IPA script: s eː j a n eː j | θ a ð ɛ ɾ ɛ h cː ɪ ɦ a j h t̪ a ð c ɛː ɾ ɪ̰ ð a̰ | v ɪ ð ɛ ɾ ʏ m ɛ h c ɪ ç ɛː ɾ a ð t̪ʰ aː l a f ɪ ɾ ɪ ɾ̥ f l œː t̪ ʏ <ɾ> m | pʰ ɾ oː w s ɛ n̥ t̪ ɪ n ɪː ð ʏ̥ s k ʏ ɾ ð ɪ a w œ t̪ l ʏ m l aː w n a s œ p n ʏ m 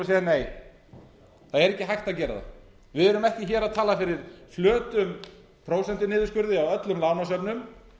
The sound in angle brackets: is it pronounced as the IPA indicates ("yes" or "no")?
no